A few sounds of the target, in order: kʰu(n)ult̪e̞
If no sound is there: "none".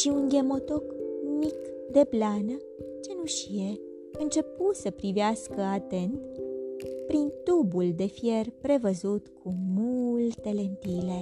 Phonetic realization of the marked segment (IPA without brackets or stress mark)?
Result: m